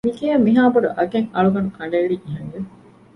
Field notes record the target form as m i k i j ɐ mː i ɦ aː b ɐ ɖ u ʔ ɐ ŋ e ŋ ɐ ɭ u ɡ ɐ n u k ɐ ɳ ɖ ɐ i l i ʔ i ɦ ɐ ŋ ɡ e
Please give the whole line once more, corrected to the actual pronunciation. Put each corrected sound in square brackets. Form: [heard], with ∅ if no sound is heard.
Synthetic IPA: m i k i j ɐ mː i ɦ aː b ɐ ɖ u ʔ ɐ [ɡ] e ŋ ɐ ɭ u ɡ ɐ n u k ɐ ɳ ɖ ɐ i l i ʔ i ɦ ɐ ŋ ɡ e